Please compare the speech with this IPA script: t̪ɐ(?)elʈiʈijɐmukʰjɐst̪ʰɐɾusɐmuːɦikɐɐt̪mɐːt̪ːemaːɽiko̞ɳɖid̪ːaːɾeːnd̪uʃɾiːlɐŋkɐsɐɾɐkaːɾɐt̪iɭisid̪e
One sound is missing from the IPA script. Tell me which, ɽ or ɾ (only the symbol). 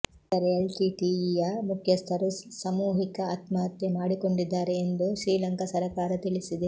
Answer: ɾ